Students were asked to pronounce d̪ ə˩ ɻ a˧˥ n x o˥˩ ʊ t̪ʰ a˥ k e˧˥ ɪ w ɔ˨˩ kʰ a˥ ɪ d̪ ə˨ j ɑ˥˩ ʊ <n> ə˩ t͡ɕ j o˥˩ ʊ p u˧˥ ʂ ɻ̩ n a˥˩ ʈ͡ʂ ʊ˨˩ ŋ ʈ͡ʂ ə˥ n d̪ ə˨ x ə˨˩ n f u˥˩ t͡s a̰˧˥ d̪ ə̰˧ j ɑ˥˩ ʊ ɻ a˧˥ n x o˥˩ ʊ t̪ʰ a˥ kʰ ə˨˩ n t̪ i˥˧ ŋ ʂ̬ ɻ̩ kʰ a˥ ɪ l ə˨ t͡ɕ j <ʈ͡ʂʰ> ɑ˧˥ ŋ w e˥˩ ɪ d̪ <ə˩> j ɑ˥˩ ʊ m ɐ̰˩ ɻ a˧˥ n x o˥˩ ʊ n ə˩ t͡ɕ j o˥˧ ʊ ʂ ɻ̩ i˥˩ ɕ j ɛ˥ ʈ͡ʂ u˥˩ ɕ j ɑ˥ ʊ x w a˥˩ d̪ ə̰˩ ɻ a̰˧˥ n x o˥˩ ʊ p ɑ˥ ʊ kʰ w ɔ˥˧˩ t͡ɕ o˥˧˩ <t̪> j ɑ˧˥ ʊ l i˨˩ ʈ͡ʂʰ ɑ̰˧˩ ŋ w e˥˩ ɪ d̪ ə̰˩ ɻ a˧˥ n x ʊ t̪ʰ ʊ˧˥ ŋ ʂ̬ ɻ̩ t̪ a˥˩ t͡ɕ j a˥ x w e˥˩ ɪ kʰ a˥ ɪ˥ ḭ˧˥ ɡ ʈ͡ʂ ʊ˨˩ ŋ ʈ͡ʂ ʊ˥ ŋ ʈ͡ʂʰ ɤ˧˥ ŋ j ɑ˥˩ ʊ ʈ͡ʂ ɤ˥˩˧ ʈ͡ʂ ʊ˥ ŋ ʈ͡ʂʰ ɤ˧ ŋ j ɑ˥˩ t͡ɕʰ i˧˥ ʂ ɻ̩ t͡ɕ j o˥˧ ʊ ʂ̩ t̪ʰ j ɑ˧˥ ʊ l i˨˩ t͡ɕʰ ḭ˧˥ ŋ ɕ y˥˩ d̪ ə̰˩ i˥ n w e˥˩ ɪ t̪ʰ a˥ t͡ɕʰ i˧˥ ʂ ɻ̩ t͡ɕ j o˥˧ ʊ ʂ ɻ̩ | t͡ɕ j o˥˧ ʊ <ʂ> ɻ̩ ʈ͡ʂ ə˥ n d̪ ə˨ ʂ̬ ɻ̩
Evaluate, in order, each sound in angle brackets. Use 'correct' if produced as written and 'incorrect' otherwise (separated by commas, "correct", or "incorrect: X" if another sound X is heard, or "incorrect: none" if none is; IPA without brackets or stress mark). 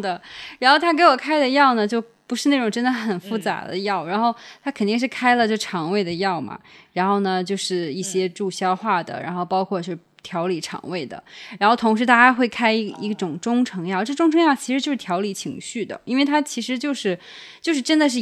correct, correct, correct, incorrect: t̪ʰ, correct